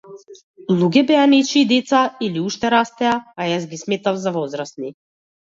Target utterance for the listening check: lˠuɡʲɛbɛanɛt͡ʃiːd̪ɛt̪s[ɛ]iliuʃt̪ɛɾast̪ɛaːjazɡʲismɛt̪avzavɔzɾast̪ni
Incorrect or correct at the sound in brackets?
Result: incorrect: a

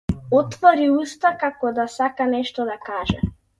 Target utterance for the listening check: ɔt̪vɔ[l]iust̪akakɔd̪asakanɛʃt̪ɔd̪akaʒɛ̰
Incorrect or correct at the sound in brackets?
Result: incorrect: ɾ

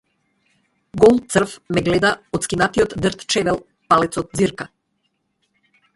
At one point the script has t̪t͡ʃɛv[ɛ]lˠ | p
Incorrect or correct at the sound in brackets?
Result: correct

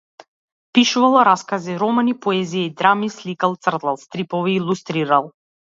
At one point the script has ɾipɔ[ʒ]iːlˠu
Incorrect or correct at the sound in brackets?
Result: incorrect: v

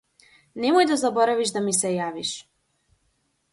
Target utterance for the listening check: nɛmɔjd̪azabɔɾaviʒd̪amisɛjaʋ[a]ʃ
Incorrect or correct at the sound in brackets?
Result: incorrect: i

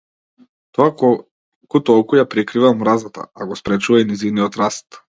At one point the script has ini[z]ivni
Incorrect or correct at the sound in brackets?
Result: correct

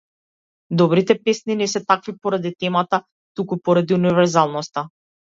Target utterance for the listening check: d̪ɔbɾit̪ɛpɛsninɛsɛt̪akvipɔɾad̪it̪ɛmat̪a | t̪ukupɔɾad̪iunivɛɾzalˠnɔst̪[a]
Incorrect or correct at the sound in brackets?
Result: correct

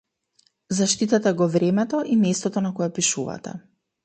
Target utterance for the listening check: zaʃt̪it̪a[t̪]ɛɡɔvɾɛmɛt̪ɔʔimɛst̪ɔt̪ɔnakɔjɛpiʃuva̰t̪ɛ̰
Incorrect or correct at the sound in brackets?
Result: correct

